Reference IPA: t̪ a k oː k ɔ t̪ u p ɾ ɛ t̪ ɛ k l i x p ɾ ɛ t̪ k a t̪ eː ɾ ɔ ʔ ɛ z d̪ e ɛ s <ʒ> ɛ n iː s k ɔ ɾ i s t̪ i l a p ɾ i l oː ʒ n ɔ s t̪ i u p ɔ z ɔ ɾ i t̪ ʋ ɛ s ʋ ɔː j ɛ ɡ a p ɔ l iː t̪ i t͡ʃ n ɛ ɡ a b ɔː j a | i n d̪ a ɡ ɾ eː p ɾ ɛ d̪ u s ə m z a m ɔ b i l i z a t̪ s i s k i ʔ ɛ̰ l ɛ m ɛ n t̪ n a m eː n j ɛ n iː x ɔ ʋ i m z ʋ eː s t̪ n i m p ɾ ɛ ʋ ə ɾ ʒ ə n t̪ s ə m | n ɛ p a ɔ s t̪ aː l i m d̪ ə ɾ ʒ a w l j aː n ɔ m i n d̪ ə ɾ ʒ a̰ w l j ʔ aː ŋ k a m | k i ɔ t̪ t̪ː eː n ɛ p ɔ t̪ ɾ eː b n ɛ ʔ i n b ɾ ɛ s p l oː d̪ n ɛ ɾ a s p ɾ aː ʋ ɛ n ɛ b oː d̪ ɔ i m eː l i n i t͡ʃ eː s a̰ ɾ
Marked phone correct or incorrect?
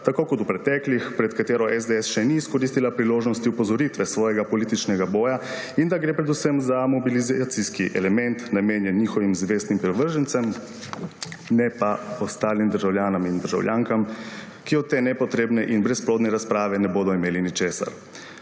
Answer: incorrect: ʃ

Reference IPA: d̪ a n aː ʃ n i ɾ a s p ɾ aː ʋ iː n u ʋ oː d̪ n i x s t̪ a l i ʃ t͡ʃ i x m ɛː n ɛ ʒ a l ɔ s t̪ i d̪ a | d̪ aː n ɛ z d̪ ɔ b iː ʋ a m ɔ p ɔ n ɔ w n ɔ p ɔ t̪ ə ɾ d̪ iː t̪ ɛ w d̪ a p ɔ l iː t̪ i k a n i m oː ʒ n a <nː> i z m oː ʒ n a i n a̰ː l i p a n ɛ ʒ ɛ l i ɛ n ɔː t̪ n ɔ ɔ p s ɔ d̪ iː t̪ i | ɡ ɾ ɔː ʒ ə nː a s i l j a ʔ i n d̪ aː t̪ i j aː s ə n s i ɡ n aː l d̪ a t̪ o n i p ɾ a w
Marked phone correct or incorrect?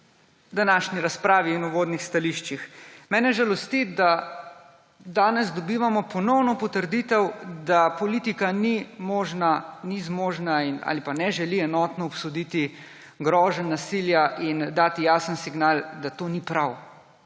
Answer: incorrect: n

